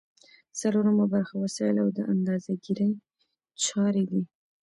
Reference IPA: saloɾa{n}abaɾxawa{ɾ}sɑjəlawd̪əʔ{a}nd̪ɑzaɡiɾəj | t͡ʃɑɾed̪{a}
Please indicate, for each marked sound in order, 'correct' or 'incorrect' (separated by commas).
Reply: incorrect, incorrect, correct, incorrect